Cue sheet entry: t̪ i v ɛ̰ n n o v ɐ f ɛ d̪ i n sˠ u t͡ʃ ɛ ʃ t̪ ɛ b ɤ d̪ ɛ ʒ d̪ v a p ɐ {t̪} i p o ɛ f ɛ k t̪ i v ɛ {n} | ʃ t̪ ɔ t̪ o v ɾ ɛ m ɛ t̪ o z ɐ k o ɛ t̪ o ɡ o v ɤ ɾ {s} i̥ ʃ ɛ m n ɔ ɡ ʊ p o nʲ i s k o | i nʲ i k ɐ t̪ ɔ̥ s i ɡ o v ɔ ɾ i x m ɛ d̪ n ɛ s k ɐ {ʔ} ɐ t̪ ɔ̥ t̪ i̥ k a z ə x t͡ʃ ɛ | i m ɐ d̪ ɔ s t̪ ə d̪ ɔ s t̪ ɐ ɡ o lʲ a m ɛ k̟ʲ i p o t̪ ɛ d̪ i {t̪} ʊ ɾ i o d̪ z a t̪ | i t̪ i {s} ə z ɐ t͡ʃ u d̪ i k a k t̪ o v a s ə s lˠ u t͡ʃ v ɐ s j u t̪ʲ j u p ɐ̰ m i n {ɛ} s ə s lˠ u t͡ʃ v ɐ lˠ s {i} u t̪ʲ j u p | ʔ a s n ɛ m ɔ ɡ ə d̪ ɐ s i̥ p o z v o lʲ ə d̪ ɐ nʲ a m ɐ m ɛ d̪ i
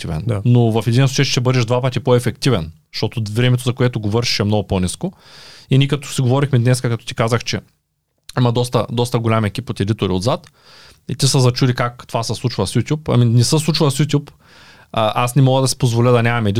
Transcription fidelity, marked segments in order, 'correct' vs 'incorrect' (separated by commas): correct, correct, incorrect, incorrect, correct, correct, correct, incorrect